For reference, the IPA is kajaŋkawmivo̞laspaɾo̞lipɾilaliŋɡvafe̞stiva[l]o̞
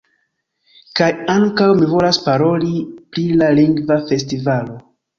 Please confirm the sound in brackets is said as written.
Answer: yes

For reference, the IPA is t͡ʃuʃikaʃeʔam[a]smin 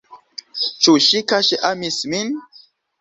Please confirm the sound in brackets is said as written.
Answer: no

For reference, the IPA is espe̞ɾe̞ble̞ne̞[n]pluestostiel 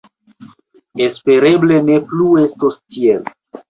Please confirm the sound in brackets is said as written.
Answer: no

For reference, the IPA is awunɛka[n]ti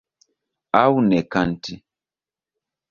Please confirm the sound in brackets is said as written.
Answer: yes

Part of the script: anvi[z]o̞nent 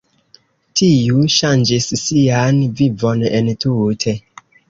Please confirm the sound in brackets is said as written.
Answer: no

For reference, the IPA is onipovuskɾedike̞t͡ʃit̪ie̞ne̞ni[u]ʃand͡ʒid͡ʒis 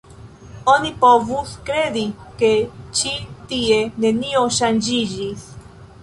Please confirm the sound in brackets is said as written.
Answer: no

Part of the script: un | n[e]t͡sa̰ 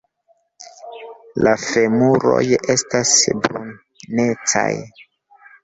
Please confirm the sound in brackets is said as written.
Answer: yes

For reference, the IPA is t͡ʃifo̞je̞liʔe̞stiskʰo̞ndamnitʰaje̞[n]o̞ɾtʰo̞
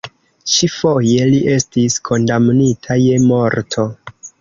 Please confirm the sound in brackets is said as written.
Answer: no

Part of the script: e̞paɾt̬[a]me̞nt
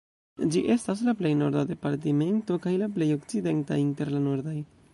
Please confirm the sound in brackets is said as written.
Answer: no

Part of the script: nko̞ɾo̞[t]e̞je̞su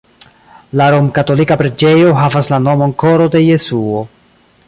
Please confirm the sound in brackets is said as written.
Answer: no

